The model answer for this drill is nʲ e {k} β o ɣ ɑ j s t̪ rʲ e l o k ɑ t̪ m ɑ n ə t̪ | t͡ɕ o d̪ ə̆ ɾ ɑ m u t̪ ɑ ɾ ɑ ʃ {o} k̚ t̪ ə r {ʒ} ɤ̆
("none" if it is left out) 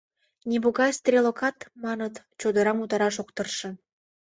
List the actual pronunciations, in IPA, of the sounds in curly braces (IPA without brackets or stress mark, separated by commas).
none, o, ʃ